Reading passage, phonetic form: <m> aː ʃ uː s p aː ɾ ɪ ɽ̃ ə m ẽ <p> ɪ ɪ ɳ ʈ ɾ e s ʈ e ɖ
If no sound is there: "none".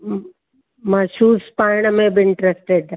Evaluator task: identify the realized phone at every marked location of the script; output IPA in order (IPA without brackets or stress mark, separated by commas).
m, b